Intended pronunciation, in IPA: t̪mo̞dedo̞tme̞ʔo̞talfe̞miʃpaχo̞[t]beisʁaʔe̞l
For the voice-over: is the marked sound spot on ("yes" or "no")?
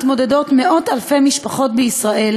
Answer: yes